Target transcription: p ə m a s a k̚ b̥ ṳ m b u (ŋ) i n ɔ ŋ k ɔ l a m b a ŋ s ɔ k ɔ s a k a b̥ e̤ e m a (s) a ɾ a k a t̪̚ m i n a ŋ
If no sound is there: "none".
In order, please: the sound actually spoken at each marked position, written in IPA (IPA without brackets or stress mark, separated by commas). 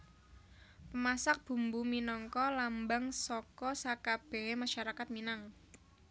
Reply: m, ʃ